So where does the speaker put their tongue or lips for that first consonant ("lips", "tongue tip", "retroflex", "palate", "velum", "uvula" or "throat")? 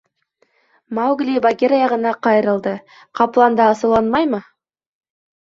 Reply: lips